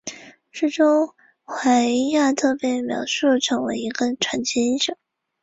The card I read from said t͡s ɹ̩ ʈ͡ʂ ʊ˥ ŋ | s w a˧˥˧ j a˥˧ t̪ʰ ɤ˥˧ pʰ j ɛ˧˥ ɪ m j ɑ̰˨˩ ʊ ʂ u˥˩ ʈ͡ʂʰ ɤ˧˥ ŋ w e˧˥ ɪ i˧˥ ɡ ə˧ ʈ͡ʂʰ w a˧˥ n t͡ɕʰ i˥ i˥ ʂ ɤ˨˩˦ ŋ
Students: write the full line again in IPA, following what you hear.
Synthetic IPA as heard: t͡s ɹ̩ ʈ͡ʂ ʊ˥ ŋ | x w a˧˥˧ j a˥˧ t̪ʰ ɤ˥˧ p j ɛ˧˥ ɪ m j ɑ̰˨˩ ʊ ʂ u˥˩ ʈ͡ʂʰ ɤ˧˥ ŋ w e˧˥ ɪ i˧˥ ɡ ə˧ ʈ͡ʂʰ w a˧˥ n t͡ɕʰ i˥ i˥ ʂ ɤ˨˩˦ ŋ